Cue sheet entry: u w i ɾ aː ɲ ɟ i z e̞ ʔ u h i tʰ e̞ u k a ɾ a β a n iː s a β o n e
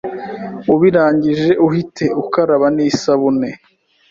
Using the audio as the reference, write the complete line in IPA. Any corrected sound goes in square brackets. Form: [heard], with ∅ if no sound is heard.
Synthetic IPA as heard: u [β] i ɾ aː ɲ ɟ i [ʒ] e̞ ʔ u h i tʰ e̞ u k a ɾ a β a n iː s a β [u] n e